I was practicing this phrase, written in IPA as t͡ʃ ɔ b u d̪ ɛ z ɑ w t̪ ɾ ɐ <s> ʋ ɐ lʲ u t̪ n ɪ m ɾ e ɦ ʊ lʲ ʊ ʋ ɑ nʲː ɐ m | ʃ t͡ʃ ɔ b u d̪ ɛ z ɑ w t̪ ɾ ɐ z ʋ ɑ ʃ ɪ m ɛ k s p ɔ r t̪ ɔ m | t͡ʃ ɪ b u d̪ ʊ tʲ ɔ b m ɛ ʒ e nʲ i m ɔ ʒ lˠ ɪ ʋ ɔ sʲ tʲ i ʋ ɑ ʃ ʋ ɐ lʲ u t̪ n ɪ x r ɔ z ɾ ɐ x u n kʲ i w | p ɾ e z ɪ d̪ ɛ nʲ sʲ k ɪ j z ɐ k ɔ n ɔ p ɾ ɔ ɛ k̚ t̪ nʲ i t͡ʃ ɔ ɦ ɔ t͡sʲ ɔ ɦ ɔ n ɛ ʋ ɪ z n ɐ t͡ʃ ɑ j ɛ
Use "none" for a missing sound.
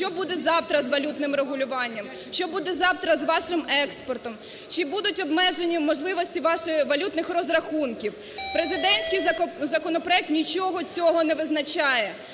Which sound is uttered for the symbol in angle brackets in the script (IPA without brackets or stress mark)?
z